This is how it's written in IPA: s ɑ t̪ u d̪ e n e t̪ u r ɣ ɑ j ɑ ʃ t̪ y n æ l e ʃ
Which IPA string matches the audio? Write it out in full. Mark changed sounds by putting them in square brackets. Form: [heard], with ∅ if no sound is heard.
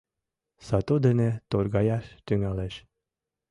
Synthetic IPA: s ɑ t̪ u d̪ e n e t̪ [o] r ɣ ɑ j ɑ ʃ t̪ y [ŋ] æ l e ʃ